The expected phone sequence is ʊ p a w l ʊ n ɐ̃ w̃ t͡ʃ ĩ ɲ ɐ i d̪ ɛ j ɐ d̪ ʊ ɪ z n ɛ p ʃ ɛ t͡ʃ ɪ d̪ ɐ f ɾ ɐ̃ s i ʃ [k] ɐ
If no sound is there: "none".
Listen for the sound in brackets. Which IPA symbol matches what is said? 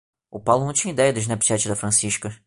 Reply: k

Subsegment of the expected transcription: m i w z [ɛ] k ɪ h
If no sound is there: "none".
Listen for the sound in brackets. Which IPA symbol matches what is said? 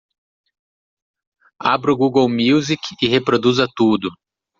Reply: i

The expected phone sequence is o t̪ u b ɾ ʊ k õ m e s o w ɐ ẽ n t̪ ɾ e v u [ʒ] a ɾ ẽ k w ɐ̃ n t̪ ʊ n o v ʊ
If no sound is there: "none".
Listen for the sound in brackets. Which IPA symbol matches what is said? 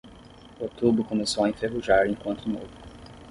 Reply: ʒ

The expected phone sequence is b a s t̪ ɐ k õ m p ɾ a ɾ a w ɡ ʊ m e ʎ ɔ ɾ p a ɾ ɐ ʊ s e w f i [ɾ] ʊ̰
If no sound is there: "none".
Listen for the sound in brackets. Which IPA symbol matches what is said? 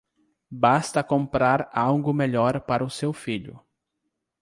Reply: ʎ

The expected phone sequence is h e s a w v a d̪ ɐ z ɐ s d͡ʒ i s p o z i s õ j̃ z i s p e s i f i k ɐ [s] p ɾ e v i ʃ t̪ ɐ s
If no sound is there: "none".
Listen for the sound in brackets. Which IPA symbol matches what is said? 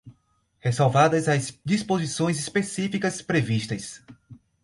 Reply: s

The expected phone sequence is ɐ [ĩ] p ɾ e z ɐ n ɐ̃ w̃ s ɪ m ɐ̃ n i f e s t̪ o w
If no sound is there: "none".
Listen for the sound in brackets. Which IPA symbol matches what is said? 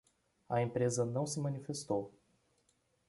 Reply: ẽ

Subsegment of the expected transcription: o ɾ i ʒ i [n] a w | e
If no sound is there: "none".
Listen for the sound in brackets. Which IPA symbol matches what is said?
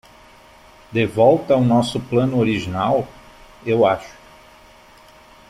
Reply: n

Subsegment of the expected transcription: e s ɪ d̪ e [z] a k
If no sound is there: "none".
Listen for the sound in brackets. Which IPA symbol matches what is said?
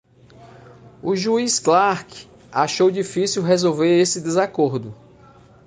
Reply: z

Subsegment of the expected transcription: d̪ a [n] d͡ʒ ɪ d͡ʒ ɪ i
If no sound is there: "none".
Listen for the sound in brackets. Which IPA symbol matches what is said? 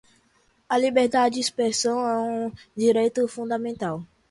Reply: none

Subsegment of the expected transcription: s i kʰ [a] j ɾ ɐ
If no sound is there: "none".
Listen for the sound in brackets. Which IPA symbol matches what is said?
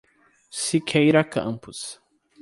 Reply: e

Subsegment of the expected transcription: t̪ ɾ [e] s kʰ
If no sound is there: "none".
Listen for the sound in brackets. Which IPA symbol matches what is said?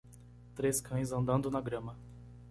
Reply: e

